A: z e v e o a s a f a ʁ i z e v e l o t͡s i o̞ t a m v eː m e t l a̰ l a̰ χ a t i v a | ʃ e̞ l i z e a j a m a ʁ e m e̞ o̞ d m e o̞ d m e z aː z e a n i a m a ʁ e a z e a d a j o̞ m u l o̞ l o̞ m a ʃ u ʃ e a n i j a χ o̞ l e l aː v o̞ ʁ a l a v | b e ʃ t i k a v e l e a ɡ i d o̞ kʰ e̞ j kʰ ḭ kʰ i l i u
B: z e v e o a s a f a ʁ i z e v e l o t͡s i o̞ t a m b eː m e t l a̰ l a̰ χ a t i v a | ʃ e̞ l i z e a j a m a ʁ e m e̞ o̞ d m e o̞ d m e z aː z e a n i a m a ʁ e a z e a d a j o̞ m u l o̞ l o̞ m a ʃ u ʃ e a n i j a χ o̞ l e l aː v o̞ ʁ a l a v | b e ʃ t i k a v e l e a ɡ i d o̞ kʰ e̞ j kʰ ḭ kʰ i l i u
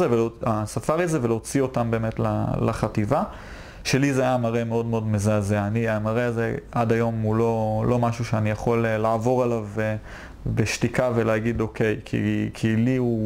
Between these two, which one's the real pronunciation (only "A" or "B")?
B